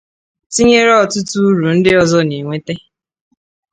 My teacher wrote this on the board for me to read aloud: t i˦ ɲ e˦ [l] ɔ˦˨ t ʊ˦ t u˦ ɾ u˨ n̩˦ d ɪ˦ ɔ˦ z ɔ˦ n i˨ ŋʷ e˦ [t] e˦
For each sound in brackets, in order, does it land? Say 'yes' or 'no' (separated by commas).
no, yes